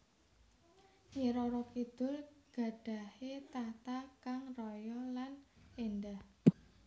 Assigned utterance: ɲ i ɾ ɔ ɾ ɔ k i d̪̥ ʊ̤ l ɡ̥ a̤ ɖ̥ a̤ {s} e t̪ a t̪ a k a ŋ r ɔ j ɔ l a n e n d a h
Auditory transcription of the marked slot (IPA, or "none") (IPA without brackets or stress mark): h